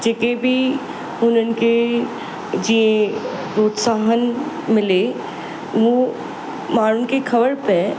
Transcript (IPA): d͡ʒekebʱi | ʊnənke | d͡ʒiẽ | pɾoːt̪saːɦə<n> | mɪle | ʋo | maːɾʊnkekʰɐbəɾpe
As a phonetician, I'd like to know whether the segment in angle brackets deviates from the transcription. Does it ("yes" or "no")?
no